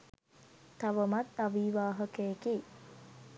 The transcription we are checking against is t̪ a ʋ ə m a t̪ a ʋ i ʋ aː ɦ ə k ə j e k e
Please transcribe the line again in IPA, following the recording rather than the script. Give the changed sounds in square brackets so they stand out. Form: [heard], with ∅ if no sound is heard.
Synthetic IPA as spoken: t̪ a ʋ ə m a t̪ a ʋ i ʋ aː ɦ ə k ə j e k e